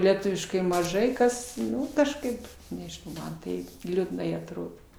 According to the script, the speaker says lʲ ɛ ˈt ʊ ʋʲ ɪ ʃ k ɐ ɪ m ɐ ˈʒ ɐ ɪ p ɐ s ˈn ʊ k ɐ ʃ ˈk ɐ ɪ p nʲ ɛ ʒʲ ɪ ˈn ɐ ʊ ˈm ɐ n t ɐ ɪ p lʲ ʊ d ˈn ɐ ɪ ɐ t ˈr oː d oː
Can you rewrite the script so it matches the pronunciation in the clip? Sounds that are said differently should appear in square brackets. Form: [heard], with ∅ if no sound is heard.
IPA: lʲ ɛ ˈt ʊ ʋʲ ɪ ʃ k ɐ ɪ m ɐ ˈʒ ɐ ɪ [k] ɐ s ˈn ʊ k ɐ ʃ ˈk ɐ ɪ p nʲ ɛ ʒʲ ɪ ˈn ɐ ʊ ˈm ɐ n t ɐ ɪ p lʲ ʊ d ˈn ɐ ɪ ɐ t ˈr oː d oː